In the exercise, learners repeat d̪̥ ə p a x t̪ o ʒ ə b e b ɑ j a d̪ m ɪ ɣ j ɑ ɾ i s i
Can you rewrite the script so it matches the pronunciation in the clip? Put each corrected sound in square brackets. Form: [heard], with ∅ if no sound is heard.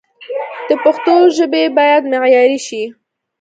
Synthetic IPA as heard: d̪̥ ə p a x t̪ o ʒ ə b e b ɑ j a d̪ m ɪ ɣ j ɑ ɾ i [ʃ] i

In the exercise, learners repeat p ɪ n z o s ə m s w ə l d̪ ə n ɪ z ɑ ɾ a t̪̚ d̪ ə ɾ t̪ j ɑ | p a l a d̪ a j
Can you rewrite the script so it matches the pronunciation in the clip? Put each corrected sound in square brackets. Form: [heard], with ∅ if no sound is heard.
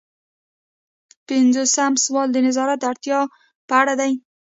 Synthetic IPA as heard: p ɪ n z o s [a] m s w [ɑ] l d̪ ə n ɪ z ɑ ɾ a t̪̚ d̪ [a] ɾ t̪ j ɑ | p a [ɽ] a d̪ a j

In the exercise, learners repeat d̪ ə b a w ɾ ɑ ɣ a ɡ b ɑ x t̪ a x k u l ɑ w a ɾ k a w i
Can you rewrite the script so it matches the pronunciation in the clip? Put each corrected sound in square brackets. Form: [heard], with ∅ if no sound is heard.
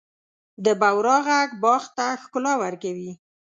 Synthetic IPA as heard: d̪ ə b a w ɾ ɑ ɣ a ɡ b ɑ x t̪ a x k [ʊ] l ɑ w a ɾ k a w i

